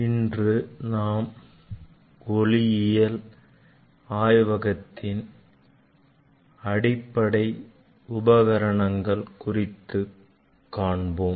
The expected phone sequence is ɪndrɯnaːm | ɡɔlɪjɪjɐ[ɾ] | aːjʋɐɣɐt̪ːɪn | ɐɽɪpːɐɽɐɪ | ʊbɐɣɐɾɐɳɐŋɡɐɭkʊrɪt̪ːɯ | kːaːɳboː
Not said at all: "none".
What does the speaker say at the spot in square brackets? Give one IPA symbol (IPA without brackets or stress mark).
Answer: l